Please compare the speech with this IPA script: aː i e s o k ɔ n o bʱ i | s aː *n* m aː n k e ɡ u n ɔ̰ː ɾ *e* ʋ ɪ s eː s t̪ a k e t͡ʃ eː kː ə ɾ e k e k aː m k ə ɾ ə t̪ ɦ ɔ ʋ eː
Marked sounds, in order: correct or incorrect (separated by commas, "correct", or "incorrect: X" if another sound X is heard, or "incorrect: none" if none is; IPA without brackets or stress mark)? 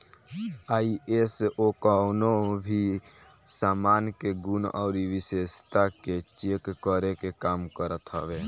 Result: incorrect: none, incorrect: i